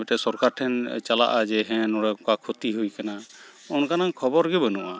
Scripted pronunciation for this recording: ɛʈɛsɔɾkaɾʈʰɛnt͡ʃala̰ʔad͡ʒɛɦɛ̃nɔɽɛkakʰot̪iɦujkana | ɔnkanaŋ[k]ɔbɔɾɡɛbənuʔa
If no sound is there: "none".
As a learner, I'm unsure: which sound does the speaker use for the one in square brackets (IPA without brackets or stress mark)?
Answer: kʰ